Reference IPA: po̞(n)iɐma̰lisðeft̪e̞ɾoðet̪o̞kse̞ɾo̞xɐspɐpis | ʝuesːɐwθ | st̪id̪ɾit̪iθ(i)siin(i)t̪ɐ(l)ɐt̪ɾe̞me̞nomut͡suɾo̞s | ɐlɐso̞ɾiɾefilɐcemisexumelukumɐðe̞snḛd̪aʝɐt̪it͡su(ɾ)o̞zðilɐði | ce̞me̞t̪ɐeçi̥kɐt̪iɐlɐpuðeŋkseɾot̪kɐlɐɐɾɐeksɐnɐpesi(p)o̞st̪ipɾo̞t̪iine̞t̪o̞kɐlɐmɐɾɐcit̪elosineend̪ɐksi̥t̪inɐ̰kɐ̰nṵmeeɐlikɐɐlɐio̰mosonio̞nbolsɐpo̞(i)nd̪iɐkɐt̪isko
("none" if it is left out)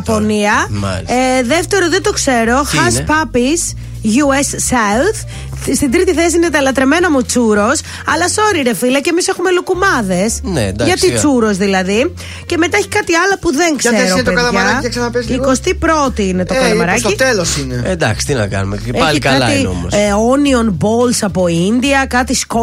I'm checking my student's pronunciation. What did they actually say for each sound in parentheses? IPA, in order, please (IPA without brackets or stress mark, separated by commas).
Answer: n, e, e, l, ɾ, k, i